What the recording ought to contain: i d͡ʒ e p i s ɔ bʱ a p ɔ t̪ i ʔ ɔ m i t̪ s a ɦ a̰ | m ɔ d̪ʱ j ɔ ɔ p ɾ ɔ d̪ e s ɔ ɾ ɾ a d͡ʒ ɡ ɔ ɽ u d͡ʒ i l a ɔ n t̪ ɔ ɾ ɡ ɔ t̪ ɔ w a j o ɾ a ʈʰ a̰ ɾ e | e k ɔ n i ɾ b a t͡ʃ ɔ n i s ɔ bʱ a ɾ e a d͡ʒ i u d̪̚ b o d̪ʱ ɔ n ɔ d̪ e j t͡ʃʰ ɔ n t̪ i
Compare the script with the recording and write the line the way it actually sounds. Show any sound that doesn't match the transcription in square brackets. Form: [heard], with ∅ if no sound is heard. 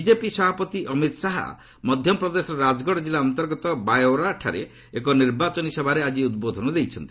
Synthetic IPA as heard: i d͡ʒ e p i s ɔ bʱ a p ɔ t̪ i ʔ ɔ m i t̪ s a ɦ a̰ | m ɔ d̪ʱ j ɔ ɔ p ɾ ɔ d̪ e s ɔ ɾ ɾ a d͡ʒ ɡ ɔ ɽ [ɔ] d͡ʒ i l a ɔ n t̪ ɔ ɾ ɡ ɔ t̪ ɔ [b] a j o ɾ a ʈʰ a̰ ɾ e | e k ɔ n i ɾ b a t͡ʃ ɔ n i s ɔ bʱ a ɾ e a d͡ʒ i u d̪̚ b o d̪ʱ ɔ n ɔ d̪ e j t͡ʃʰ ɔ n t̪ i